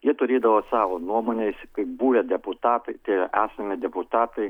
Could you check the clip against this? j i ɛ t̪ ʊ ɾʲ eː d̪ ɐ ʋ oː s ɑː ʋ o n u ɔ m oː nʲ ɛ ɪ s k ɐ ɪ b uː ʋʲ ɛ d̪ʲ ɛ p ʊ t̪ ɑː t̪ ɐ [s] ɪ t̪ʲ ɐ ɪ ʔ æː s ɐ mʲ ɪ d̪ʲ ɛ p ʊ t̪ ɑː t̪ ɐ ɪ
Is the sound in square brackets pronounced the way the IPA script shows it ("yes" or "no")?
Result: no